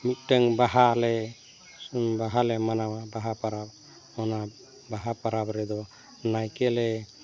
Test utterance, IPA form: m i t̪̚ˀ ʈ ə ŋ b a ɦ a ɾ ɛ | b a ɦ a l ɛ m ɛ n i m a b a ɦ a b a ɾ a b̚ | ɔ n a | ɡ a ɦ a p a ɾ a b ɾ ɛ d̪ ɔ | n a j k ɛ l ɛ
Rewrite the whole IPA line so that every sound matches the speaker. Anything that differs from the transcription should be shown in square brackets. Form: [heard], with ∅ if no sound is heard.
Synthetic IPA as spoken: m i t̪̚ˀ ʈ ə ŋ b a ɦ a [l] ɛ | b a ɦ a l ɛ m [a] n [a] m a b a ɦ a [p] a ɾ a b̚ | ɔ n a | [b] a ɦ a p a ɾ a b ɾ ɛ d̪ ɔ | n a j k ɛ l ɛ